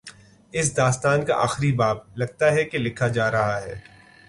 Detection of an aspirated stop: present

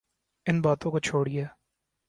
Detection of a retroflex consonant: present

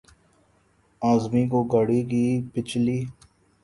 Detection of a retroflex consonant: present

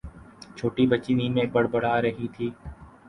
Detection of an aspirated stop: present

